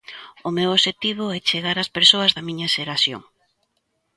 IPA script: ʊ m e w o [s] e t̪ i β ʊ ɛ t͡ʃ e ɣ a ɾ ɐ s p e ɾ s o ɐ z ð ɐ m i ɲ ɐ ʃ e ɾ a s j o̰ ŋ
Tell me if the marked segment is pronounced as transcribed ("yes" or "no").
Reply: no